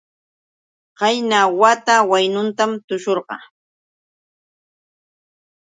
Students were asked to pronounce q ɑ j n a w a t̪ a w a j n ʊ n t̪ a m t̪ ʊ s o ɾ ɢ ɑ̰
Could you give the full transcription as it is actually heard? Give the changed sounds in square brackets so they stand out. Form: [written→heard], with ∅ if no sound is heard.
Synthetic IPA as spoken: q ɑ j n a w a t̪ a w a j n ʊ n t̪ a m t̪ ʊ [s→ʃ] o ɾ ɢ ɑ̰